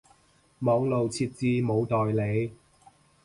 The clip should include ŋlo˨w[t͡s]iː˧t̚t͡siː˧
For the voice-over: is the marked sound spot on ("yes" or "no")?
no